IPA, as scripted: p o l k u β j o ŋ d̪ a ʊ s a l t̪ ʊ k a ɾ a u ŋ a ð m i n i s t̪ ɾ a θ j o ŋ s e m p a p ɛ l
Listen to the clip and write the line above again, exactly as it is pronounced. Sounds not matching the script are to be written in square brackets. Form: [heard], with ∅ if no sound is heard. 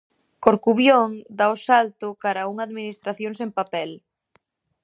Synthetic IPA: [k] o [ɾ] k u β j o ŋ d̪ a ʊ s a l t̪ ʊ k a ɾ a u ŋ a ð m i n i s t̪ ɾ a θ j o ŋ s e m p a p ɛ l